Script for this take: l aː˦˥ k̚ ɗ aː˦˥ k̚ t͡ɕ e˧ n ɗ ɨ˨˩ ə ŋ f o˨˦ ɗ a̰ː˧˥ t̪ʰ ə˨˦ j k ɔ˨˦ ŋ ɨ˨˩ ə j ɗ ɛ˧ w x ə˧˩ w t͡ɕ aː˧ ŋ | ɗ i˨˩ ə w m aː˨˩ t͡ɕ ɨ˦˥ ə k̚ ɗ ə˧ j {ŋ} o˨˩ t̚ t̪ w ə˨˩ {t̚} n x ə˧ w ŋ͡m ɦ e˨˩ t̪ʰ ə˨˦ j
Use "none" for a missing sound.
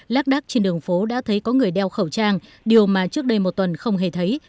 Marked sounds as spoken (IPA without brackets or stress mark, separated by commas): m, none